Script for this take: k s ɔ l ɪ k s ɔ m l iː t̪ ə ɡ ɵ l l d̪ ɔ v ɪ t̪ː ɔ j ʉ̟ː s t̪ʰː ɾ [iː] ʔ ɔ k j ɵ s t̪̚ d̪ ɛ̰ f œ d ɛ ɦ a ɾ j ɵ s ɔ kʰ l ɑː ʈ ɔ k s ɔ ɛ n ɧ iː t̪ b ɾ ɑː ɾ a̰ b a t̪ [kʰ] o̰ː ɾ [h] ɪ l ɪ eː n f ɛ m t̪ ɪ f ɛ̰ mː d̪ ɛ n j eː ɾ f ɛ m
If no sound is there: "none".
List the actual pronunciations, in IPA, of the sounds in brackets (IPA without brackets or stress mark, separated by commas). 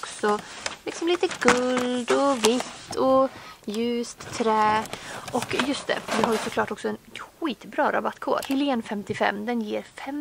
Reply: ɛː, kʰ, h